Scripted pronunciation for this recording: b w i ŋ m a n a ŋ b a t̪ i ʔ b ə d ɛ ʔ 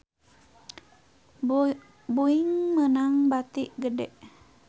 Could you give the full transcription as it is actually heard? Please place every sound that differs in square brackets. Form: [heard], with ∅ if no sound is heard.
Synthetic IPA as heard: b [u] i ŋ m [ə] n a ŋ b a t̪ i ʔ [ɡ] ə d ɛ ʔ